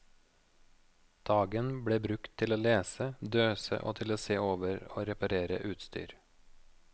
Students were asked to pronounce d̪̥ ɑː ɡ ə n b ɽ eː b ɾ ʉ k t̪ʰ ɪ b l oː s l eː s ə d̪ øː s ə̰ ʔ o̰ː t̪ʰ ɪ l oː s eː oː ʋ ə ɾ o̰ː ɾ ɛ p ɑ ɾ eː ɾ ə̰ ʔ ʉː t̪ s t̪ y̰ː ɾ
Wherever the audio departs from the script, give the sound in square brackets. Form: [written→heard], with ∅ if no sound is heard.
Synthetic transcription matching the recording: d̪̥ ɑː ɡ ə n b ɽ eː b ɾ ʉ k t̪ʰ ɪ [b→∅] l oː [s→∅] l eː s ə d̪ øː s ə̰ ʔ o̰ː t̪ʰ ɪ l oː s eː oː ʋ ə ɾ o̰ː ɾ ɛ p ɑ ɾ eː ɾ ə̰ ʔ ʉː t̪ s t̪ y̰ː ɾ